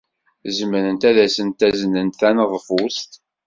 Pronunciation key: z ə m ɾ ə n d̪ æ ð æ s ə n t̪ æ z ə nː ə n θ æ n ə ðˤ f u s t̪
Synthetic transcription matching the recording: z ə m ɾ ə n t̪ æ ð æ s ə n t̪ æ z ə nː ə n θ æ n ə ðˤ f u s t̪